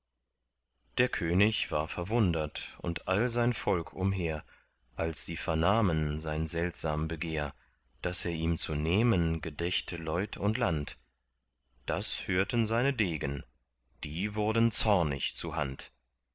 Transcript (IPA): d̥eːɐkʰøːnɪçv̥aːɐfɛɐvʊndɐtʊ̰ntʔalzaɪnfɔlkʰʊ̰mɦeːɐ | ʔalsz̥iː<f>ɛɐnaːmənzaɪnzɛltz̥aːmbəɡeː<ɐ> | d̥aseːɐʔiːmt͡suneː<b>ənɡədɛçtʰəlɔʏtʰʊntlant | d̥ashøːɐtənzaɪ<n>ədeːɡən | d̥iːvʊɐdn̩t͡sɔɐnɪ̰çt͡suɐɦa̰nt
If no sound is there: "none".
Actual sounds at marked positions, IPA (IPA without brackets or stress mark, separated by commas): f, ɐ, m, n